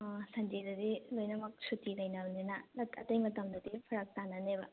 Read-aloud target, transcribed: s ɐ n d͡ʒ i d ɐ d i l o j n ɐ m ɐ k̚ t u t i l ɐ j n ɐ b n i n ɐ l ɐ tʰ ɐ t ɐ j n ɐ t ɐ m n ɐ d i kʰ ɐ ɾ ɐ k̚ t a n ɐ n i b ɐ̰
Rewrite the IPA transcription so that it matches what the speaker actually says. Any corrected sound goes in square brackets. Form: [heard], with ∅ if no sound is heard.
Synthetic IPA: s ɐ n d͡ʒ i d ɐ d i l o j n ɐ m ɐ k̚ [s] u t i l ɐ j n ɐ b n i n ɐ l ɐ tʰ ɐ t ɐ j [m] ɐ t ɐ m [d] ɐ d i [pʰ] ɐ ɾ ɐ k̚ t a n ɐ n [e] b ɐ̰